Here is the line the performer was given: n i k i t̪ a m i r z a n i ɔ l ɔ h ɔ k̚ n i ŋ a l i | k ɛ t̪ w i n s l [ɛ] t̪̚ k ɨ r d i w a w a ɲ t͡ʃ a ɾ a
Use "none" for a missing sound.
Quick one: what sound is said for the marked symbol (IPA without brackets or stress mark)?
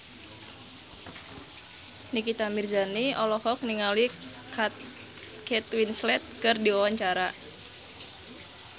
ɛ